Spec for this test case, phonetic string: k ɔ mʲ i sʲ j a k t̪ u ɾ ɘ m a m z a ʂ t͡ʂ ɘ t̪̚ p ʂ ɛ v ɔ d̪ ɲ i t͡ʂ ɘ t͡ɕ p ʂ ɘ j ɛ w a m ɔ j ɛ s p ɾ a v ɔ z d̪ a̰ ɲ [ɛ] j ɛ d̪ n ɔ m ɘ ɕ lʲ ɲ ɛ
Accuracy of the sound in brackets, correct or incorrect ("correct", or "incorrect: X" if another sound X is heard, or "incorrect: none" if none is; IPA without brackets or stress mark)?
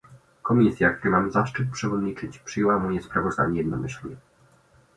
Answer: correct